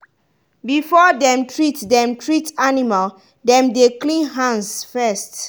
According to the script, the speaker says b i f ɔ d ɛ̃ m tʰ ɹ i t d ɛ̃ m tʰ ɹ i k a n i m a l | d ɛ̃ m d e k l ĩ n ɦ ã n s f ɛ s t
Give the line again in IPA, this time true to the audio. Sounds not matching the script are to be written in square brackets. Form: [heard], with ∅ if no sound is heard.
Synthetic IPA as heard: b i f ɔ d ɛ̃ m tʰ ɹ i t d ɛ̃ m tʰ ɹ i [t] a n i m a l | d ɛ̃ m d e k l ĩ n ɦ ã n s f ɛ s t